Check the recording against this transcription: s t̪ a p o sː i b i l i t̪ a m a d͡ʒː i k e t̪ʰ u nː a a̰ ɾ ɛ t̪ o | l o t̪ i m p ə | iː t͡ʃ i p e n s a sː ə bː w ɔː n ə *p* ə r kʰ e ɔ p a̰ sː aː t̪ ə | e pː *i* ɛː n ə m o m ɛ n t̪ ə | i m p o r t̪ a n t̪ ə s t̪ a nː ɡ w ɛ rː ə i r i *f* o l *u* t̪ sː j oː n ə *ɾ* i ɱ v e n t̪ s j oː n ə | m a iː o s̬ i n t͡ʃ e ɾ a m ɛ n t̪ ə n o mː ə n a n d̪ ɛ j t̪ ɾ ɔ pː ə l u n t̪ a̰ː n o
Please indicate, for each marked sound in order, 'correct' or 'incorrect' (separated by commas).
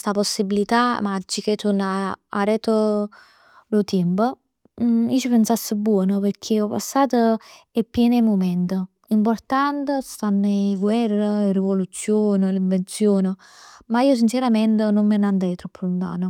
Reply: correct, incorrect, incorrect, correct, incorrect